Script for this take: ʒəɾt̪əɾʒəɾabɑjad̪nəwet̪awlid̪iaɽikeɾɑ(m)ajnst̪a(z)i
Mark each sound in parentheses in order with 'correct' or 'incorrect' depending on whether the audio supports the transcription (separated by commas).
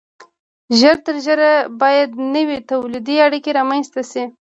correct, incorrect